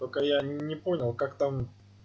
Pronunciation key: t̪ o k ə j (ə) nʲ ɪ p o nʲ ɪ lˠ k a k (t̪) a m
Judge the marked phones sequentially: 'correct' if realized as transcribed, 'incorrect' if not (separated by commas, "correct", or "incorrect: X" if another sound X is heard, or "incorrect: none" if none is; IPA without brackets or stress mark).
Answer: incorrect: a, correct